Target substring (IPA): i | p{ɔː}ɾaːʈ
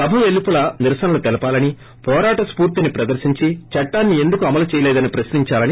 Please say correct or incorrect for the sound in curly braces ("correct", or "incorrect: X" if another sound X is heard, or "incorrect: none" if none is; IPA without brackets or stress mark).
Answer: correct